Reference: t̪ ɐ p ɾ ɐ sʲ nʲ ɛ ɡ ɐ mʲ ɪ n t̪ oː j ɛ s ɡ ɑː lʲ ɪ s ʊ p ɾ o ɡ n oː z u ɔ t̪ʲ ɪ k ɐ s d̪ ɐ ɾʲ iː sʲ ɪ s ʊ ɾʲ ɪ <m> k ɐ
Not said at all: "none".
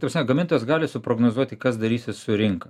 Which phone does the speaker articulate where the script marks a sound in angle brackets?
ŋ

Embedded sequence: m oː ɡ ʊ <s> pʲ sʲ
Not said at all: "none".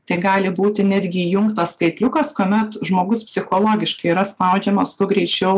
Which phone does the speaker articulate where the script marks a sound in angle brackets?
s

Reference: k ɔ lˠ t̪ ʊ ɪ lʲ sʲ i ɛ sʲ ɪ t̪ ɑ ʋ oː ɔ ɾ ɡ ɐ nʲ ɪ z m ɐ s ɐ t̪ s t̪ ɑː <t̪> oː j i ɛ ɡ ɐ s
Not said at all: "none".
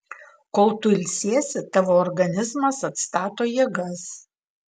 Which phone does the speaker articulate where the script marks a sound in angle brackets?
t̪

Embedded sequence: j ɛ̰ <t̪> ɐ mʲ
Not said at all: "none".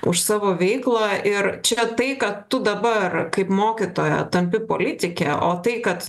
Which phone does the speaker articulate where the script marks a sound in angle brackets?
t̪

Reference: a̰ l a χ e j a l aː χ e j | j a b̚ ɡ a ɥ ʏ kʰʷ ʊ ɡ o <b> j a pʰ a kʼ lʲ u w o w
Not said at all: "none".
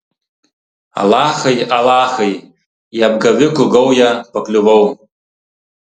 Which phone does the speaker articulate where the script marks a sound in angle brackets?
w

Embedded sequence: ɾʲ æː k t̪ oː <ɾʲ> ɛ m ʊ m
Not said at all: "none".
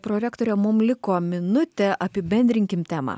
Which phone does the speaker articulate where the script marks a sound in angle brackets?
ɾʲ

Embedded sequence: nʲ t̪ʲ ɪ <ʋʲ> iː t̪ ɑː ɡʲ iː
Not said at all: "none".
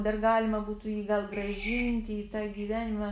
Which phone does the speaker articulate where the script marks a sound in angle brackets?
none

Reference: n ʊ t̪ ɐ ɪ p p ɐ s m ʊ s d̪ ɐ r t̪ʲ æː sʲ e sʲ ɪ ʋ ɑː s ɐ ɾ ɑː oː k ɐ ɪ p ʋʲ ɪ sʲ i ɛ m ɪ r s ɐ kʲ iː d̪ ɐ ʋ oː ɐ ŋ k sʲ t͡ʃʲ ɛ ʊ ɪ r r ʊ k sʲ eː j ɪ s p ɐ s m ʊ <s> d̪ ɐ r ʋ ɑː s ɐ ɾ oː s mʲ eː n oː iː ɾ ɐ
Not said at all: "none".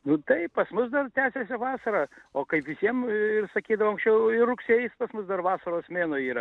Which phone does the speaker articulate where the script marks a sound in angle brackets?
s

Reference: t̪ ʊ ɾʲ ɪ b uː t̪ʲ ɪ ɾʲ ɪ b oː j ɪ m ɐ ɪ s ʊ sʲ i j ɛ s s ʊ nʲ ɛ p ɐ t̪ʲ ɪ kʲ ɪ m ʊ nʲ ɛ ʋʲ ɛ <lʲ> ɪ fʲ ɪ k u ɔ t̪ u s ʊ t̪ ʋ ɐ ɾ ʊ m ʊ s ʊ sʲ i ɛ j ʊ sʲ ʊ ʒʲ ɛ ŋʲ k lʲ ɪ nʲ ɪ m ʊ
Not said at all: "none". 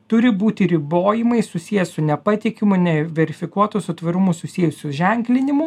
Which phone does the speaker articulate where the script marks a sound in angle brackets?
ɾʲ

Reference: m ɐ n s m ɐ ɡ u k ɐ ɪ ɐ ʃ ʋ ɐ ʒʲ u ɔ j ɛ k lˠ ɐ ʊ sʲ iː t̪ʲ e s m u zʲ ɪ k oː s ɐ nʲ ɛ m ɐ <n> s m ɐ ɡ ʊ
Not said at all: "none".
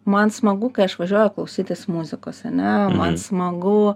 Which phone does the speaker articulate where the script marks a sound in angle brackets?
n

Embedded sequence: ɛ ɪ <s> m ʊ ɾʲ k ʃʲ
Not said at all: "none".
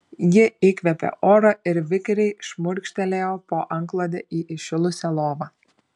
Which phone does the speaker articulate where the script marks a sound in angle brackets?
ʃ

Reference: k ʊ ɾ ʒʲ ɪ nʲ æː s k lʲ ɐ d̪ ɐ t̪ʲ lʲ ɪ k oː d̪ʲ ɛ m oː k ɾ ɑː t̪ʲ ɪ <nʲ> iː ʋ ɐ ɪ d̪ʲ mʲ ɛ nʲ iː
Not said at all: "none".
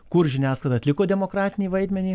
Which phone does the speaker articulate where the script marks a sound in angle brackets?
nʲ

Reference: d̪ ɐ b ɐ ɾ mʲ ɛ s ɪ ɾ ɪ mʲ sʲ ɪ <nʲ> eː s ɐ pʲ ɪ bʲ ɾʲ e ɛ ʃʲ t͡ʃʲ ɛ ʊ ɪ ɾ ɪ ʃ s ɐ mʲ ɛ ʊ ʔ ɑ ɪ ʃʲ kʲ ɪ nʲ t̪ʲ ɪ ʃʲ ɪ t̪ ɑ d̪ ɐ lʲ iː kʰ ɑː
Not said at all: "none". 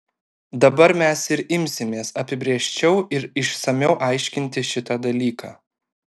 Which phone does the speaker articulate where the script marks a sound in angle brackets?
mʲ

